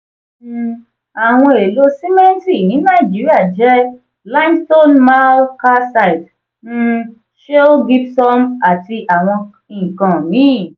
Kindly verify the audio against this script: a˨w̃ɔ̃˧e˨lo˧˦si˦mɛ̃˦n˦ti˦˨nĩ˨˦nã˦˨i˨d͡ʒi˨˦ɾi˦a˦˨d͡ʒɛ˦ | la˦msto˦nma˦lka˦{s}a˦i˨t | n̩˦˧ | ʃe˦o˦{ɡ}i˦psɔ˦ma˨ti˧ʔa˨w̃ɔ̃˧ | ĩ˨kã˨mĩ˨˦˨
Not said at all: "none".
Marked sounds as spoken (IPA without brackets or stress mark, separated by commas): s, ɡ